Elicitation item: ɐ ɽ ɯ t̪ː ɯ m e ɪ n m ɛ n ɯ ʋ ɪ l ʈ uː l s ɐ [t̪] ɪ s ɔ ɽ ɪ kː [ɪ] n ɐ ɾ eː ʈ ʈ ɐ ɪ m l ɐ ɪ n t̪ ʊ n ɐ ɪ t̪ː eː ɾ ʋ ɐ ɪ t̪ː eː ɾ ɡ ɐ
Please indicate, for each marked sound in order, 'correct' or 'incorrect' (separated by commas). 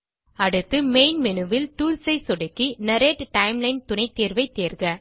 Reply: incorrect, incorrect